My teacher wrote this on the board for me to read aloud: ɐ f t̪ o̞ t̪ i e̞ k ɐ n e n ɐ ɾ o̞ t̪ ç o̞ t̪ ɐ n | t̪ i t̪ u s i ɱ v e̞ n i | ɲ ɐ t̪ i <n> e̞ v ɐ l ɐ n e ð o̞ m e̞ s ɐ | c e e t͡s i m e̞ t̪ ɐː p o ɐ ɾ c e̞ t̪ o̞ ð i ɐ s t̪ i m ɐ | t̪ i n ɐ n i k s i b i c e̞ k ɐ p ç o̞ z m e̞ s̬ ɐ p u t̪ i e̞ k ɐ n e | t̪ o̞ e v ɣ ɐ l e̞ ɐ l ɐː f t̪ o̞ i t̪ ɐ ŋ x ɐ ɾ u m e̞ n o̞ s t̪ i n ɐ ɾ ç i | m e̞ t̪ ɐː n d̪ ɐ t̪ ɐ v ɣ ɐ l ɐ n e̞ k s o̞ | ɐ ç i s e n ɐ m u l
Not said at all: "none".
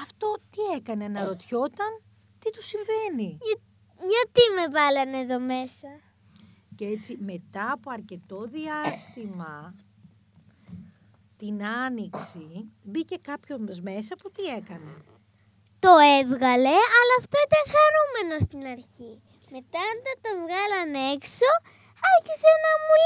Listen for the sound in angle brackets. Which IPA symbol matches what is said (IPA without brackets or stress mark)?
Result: m